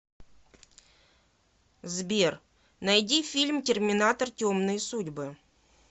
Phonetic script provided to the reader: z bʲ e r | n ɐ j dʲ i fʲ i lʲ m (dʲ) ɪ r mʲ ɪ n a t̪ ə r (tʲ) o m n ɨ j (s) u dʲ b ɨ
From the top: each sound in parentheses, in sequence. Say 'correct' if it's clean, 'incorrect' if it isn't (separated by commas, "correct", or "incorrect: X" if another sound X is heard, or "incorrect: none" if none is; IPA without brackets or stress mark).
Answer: incorrect: tʲ, correct, correct